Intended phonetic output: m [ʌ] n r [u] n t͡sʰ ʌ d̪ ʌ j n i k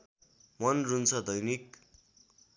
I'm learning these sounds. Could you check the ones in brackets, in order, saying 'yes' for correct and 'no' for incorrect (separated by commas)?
yes, yes